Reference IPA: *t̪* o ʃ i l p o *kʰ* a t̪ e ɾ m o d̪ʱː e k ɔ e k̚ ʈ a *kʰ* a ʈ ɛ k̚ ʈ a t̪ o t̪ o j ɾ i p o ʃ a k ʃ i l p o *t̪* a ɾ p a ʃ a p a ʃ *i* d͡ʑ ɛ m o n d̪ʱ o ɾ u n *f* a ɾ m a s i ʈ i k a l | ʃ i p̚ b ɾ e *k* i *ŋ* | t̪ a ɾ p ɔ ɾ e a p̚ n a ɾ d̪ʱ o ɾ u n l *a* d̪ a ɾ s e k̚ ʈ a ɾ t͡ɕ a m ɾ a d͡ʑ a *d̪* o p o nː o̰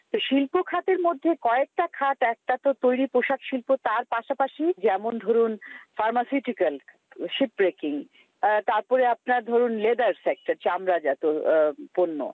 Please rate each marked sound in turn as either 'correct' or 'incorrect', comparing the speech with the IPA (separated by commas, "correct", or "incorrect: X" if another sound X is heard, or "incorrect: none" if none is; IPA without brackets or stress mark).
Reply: correct, correct, correct, correct, correct, correct, correct, correct, incorrect: e, incorrect: t̪